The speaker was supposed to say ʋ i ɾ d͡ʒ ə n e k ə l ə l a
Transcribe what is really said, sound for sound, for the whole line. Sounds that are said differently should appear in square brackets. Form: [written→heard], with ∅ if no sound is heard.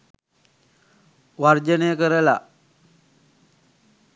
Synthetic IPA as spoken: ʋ [i→a] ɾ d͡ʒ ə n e k ə [l→ɾ] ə l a